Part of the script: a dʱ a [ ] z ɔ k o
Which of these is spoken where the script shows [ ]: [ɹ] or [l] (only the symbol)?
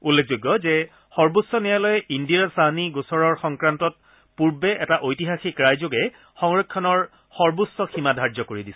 ɹ